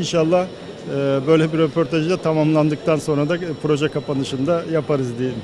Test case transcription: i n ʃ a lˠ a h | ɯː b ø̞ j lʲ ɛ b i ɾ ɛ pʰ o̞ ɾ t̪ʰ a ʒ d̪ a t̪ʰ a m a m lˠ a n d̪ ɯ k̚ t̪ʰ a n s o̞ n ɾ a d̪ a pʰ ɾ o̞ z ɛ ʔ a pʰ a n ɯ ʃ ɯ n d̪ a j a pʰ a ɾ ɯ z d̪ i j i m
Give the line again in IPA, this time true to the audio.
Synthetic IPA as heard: i n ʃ a lˠː a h | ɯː b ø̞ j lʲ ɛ b i ɾ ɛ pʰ o̞ ɾ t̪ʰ a ʒ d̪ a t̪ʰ a m a m lˠ a n d̪ ɯ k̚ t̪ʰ a n s o̞ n ɾ a d̪ a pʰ ɾ o̞ ʒ ɛ k a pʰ a n ɯ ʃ ɯ n d̪ a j a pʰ a ɾ ɯ z d̪ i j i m